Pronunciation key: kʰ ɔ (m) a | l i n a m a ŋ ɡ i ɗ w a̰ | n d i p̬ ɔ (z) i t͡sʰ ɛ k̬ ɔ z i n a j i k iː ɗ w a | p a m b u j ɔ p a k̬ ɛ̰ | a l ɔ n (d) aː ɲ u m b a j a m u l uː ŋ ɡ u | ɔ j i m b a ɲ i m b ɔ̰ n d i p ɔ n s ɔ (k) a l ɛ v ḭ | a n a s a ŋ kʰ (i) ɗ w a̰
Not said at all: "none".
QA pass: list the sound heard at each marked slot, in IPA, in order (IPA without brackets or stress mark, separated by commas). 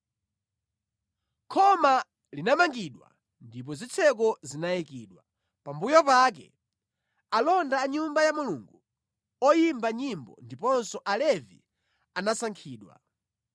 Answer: m, z, d, ʔ, iː